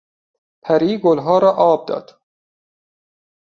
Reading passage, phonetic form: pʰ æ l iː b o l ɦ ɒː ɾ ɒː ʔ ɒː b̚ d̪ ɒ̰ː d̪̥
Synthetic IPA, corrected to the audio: pʰ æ ɾ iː ɡ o l ɦ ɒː ɾ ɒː ʔ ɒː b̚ d̪ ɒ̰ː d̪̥

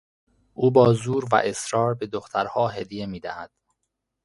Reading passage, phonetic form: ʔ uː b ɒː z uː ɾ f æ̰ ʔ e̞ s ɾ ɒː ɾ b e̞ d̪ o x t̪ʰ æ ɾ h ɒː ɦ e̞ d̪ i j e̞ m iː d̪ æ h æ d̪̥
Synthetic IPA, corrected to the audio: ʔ uː b ɒː z uː ɾ v æ̰ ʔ e̞ s ɾ ɒː ɾ b e̞ d̪ o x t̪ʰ æ ɾ h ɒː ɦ e̞ d̪ i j e̞ m iː d̪ æ h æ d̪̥

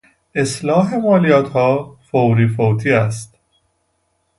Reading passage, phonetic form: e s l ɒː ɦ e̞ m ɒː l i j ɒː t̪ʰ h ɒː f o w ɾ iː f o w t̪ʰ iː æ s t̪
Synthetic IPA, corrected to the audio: e s l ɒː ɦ e̞ m ɒː l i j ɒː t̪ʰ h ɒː f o w ɾ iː f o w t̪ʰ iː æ s t̪

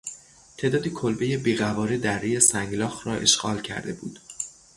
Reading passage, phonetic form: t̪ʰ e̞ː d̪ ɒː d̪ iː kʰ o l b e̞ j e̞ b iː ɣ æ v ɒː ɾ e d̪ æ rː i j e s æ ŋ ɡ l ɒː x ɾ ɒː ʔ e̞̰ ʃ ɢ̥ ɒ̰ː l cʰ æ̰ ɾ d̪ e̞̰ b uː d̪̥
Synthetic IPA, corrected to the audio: t̪ʰ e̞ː d̪ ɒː d̪ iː kʰ o l b e̞ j e̞ b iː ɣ æ v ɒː ɾ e d̪ æ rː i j e s æ ŋ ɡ l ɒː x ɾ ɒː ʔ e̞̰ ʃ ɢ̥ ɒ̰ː l cʰ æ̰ ɾ d̪ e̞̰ b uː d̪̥

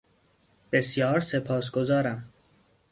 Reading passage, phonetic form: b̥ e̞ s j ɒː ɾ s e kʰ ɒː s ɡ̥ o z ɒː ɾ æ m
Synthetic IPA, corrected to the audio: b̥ e̞ s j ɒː ɾ s e pʰ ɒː s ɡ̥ o z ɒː ɾ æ m

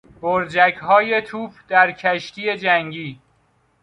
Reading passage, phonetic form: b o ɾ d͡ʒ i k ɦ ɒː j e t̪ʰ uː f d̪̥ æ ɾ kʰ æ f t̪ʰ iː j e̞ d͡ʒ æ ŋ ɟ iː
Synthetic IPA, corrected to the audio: b o ɾ d͡ʒ æ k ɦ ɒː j e t̪ʰ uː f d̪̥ æ ɾ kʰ æ ʃ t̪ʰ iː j e̞ d͡ʒ æ ŋ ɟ iː

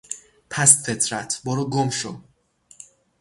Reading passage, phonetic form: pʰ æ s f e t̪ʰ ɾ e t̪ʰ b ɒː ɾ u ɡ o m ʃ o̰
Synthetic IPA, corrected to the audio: pʰ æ s f e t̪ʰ ɾ æ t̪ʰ b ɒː ɾ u ɡ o m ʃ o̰

